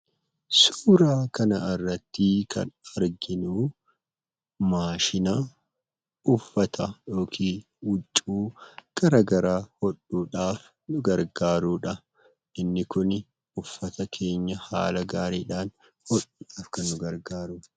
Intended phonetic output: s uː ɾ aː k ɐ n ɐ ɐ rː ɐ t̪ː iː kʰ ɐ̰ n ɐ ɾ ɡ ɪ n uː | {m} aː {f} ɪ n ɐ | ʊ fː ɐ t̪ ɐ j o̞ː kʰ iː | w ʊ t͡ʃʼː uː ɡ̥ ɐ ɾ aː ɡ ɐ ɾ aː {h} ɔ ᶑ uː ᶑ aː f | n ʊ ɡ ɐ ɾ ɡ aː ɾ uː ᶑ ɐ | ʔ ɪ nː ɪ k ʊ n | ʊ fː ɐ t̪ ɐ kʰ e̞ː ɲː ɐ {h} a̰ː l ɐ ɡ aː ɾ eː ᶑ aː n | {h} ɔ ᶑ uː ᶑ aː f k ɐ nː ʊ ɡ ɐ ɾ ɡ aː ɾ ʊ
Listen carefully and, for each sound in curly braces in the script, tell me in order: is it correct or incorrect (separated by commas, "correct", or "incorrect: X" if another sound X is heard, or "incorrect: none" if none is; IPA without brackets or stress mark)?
correct, incorrect: ʃ, correct, correct, correct